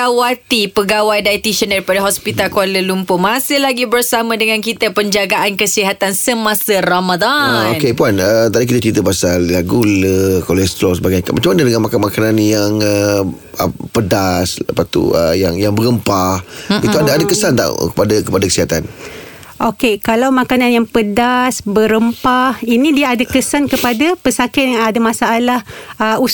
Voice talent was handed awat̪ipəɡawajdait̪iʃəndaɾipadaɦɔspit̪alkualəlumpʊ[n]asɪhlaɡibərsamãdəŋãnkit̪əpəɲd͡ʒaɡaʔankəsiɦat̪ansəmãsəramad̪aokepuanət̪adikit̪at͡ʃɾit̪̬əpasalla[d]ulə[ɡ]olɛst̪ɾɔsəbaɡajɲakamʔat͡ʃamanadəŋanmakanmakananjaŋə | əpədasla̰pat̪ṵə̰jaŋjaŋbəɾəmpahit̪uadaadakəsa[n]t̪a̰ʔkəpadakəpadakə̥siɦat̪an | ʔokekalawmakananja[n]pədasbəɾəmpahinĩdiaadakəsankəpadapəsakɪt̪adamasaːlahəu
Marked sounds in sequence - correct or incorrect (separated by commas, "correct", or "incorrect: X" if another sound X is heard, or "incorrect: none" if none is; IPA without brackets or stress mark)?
incorrect: m, incorrect: ɡ, incorrect: k, correct, incorrect: ŋ